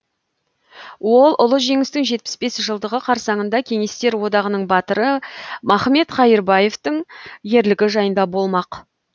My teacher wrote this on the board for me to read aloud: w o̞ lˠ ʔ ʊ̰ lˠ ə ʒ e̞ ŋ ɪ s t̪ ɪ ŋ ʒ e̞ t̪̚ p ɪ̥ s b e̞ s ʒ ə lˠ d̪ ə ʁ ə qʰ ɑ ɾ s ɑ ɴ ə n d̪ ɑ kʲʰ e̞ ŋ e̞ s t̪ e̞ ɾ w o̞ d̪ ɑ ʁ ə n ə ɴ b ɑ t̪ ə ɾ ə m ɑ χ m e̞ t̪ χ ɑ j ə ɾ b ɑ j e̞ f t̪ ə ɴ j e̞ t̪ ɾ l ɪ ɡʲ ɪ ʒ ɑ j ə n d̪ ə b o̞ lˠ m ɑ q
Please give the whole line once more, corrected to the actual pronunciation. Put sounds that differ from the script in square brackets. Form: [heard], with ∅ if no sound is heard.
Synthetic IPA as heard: w o̞ lˠ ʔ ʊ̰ lˠ ə ʒ e̞ ŋ ɪ s t̪ ɪ ŋ ʒ e̞ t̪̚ p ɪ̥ s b e̞ s ʒ ə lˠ d̪ ə ʁ ə qʰ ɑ ɾ s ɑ ɴ ə n d̪ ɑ kʲʰ e̞ ŋ e̞ s t̪ e̞ ɾ w o̞ d̪ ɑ ʁ ə n ə ɴ b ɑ t̪ ə ɾ ə m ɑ χ m e̞ t̪ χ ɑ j ə ɾ b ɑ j e̞ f t̪ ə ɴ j e̞ [∅] ɾ l ɪ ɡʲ ɪ ʒ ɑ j ə n d̪ [ɑ] b o̞ lˠ m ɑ q